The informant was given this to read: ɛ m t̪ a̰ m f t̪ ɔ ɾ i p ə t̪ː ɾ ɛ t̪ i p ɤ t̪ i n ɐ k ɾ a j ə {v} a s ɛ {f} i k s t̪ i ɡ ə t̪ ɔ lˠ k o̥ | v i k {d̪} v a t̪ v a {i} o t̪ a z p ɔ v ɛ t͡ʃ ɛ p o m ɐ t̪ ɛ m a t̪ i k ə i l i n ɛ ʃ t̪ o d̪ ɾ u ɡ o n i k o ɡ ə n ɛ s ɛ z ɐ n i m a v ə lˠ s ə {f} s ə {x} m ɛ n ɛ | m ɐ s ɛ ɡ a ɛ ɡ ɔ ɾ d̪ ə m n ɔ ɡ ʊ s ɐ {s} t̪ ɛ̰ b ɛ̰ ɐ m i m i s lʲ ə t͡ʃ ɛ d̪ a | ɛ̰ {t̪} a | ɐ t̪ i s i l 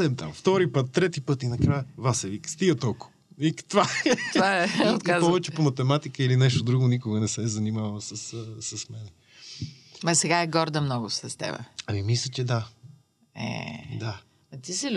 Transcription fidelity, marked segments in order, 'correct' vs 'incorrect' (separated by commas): correct, incorrect, incorrect, incorrect, incorrect, incorrect, correct, incorrect